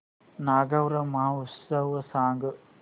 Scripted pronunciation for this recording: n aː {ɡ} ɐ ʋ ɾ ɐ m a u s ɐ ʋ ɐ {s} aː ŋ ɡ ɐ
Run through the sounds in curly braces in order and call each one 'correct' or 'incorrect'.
correct, correct

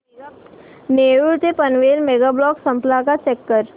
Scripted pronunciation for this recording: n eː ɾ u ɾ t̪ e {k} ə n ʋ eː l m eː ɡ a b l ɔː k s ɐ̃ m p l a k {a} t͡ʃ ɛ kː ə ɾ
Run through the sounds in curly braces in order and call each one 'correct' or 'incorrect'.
incorrect: p, correct

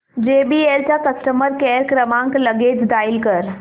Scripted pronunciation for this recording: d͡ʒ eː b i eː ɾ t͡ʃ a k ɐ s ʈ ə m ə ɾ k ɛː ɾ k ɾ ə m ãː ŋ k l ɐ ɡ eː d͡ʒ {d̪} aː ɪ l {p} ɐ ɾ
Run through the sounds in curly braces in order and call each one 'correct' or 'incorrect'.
correct, incorrect: k

